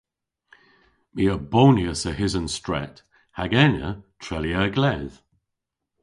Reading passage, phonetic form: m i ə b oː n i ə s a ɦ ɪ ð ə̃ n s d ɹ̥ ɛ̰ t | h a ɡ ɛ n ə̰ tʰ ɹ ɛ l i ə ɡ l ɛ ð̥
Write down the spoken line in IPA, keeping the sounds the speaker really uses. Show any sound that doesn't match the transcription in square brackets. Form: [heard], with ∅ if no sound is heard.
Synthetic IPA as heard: m i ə b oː n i ə s [ə] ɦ ɪ [z] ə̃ n s [t] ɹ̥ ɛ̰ t | h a ɡ ɛ n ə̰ tʰ ɹ ɛ l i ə ɡ l ɛ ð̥